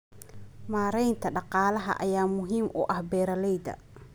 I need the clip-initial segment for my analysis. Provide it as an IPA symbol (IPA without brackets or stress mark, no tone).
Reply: m